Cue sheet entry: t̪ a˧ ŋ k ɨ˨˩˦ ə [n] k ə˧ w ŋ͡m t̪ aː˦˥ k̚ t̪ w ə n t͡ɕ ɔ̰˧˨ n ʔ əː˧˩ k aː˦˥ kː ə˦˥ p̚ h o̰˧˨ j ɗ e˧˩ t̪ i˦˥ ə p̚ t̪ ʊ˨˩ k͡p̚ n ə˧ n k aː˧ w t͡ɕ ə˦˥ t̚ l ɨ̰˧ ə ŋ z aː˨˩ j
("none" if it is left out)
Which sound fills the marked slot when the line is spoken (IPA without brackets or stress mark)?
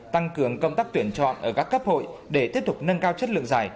ŋ